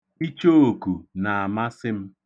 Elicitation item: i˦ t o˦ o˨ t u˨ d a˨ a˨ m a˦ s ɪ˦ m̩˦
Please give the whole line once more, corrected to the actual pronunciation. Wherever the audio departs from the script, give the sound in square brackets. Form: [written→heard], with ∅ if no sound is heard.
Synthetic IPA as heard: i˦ [t→t͡ʃ] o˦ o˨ [t→k] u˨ [d→n] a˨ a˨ m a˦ s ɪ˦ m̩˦